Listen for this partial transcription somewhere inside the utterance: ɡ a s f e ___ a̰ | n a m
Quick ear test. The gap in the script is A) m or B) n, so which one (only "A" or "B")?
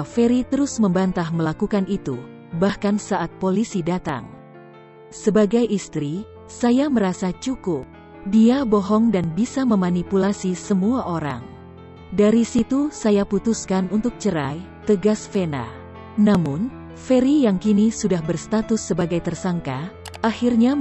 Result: B